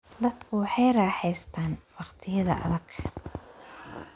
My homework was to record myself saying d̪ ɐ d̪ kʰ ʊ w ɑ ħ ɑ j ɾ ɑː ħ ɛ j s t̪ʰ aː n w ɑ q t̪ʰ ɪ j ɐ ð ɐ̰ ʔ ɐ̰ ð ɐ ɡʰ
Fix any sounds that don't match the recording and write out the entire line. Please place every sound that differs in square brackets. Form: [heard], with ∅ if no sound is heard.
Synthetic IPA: d̪ ɐ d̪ kʰ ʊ w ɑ ħ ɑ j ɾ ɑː ħ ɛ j s t̪ʰ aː n w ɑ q t̪ʰ ɪ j ɐ ð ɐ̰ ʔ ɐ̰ ð ɐ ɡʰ